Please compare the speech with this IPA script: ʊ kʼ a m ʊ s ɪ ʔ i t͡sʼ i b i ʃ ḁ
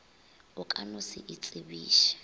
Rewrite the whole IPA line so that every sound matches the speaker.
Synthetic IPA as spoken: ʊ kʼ a n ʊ s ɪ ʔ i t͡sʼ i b iː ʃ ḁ